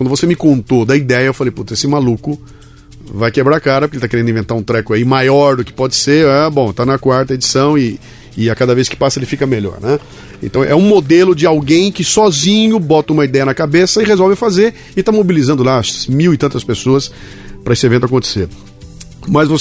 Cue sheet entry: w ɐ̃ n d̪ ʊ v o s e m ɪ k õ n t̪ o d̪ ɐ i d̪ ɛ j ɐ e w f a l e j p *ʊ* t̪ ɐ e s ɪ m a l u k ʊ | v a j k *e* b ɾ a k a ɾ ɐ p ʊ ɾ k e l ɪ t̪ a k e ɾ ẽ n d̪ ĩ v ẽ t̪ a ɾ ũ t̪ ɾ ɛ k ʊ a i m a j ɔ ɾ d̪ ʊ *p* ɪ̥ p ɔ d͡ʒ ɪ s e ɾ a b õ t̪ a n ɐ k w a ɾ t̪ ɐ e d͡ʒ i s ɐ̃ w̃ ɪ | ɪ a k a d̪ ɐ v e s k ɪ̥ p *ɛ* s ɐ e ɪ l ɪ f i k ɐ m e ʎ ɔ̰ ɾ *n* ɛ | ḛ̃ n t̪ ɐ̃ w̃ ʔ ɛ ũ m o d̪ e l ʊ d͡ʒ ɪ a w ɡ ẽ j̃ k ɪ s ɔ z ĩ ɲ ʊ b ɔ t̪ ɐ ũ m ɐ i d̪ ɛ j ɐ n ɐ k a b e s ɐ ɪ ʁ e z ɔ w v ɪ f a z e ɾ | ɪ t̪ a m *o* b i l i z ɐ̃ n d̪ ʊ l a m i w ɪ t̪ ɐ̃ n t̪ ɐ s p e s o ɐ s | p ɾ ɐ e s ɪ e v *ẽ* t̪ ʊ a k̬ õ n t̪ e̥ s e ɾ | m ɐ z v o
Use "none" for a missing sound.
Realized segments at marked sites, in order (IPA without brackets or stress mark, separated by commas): u, e, k, a, n, o, ẽ